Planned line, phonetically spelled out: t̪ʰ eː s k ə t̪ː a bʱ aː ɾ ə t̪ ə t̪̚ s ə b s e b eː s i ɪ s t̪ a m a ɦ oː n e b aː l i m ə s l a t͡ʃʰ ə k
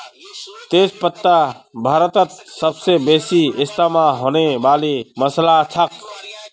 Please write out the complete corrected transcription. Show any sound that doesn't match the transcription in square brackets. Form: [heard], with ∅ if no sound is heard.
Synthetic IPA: [t̪] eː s [p] ə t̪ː a bʱ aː ɾ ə t̪ ə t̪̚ s ə b s e b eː s i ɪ s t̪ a m a ɦ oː n e b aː l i m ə s l a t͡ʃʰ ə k